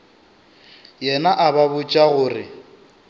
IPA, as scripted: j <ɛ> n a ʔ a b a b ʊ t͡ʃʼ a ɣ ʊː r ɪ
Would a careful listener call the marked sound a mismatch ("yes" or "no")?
no